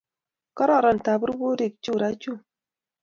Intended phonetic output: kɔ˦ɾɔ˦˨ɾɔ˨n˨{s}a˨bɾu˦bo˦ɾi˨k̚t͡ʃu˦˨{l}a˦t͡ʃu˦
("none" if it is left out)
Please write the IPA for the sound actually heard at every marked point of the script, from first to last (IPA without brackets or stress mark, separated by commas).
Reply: t, ɾ